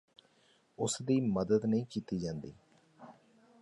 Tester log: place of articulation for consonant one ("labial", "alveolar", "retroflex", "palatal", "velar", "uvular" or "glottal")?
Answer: alveolar